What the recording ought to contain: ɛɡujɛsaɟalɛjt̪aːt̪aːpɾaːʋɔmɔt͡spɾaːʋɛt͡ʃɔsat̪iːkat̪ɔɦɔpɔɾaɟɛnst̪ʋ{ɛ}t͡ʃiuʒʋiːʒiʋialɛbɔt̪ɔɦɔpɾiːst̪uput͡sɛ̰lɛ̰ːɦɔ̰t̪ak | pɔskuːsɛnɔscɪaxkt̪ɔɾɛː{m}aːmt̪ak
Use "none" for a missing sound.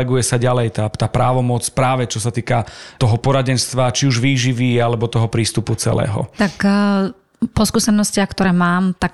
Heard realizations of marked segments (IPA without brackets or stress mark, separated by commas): a, m